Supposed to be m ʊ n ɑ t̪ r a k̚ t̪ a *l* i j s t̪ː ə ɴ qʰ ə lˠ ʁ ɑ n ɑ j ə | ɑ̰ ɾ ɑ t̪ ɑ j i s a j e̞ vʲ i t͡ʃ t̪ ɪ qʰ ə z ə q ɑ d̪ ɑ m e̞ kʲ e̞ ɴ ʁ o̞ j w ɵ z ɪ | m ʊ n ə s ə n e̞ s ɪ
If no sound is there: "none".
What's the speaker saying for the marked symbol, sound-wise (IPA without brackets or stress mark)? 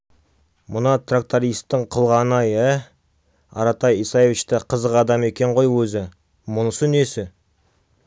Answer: ɾ